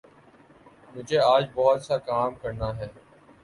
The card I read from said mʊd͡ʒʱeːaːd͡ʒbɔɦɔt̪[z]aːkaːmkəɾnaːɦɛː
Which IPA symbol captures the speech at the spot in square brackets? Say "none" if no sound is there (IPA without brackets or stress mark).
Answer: s